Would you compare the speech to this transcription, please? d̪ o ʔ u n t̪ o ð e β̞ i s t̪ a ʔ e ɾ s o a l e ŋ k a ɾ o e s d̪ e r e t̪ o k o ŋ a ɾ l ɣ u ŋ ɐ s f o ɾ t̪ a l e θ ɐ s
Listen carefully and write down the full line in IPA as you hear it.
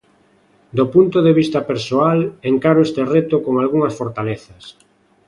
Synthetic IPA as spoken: d̪ o p u n t̪ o ð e β̞ i s t̪ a p e ɾ s o a l e ŋ k a ɾ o e s t̪ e r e t̪ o k o ŋ a l ɣ u ŋ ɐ s f o ɾ t̪ a l e θ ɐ s